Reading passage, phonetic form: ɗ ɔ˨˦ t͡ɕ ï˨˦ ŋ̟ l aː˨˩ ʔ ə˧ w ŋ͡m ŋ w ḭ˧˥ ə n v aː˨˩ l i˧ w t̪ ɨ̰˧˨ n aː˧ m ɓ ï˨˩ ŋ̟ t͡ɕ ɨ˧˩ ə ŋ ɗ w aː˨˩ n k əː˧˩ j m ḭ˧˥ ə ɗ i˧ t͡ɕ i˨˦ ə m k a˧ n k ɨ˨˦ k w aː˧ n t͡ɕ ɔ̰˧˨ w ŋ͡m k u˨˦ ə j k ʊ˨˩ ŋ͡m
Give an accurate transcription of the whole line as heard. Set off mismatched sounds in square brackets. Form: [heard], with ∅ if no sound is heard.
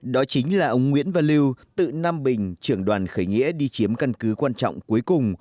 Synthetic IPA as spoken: ɗ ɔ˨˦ t͡ɕ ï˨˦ ŋ̟ l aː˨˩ ʔ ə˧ w ŋ͡m ŋ w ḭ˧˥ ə n v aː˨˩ l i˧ w t̪ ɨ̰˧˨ n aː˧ m ɓ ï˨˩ ŋ̟ t͡ɕ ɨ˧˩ ə ŋ ɗ w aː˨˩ n [x] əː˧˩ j [ŋ] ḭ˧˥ ə ɗ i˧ t͡ɕ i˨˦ ə m k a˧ n k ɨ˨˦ k w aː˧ n t͡ɕ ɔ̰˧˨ w ŋ͡m k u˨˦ ə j k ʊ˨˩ ŋ͡m